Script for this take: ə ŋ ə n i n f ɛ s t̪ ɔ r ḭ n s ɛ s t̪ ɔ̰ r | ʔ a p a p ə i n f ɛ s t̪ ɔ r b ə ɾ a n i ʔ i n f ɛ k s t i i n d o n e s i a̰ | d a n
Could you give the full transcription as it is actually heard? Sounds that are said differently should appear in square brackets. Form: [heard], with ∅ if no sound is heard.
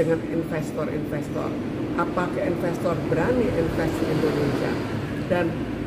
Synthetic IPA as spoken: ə ŋ [a] n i n f ɛ s t̪ ɔ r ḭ n [f] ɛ s t̪ ɔ̰ r | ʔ a p a [k] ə i n f ɛ s t̪ ɔ r b ə ɾ a n i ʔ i n f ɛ [∅] s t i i n d o n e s i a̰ | d a n